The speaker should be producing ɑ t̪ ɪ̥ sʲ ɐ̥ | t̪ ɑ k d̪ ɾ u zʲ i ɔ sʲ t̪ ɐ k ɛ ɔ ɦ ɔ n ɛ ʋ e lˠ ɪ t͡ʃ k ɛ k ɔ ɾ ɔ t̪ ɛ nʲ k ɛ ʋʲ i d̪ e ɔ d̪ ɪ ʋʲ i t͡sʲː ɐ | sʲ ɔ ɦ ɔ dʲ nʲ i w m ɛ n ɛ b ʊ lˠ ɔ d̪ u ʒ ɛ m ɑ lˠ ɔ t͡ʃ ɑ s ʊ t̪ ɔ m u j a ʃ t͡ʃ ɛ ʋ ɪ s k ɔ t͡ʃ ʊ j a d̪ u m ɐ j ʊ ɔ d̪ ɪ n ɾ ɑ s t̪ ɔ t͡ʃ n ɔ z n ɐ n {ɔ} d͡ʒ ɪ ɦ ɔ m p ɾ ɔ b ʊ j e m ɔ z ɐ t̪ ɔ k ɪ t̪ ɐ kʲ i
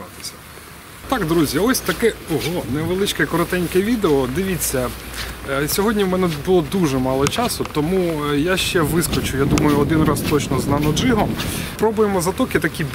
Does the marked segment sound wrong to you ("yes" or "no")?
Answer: no